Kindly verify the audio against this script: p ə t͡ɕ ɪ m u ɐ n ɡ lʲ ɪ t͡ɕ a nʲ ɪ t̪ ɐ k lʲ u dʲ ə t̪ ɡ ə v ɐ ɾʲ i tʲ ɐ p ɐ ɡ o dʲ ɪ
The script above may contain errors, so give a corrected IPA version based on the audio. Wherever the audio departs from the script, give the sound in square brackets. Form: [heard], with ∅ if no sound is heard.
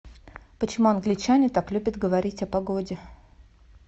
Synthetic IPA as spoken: p ə t͡ɕ ɪ m u ɐ n ɡ lʲ ɪ t͡ɕ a nʲ ɪ t̪ [a] k lʲ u [bʲ] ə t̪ ɡ ə v ɐ ɾʲ i tʲ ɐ p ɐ ɡ o dʲ ɪ